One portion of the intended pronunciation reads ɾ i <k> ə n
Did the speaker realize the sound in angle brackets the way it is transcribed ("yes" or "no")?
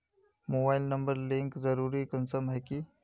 yes